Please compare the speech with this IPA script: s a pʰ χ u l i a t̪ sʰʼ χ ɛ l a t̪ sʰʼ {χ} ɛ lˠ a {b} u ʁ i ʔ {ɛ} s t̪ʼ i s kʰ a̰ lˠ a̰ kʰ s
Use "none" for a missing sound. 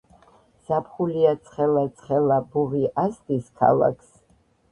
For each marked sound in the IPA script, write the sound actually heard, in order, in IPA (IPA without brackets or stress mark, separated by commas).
χ, b, a